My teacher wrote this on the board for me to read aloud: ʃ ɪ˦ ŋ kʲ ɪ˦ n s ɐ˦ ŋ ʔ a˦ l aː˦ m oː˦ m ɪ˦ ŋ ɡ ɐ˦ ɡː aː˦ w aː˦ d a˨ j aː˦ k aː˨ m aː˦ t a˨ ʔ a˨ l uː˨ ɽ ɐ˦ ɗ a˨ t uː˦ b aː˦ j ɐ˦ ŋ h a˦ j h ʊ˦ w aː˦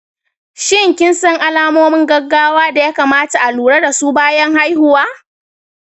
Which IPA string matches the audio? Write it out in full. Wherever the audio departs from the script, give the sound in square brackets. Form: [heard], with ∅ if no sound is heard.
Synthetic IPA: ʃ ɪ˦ ŋ kʲ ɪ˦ n s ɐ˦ ŋ ʔ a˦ l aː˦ m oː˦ m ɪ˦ ŋ ɡ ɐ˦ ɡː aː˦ w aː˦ d a˨ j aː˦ k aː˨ m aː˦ t a˨ ʔ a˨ l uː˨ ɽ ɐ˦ [d] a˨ [s] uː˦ b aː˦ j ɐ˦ ŋ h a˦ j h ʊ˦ w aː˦